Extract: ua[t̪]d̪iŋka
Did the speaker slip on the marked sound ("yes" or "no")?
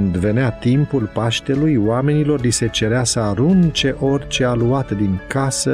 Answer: no